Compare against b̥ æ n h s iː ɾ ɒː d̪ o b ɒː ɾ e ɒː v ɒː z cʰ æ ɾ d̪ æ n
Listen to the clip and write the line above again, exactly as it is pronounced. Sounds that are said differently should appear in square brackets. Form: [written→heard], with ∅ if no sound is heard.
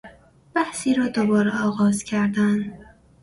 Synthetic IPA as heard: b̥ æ [n→∅] h s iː ɾ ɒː d̪ o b ɒː ɾ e ɒː [v→ɣ] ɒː z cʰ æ ɾ d̪ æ n